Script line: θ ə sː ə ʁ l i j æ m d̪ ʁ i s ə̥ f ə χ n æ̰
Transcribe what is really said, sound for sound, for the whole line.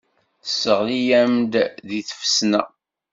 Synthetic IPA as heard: θ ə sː ə ʁ l i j æ m d̪ ð i θ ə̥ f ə s n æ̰